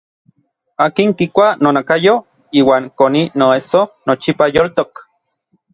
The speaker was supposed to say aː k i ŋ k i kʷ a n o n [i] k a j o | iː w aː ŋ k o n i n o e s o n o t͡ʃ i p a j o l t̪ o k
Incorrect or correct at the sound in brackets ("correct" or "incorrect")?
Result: incorrect